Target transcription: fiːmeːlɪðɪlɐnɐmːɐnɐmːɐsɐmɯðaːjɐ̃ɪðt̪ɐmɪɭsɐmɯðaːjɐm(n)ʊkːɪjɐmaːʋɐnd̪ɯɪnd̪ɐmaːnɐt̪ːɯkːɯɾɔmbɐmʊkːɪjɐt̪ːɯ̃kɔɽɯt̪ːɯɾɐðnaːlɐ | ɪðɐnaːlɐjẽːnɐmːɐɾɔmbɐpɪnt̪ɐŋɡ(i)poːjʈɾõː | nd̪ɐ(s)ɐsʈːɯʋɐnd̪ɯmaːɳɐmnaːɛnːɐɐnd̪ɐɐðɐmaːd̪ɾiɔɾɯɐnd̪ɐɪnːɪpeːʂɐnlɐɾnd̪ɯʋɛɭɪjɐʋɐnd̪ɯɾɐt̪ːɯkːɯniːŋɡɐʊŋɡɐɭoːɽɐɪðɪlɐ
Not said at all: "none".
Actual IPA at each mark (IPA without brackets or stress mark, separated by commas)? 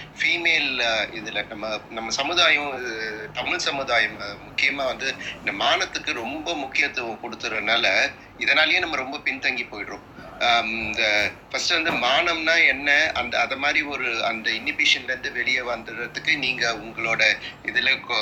m, i, f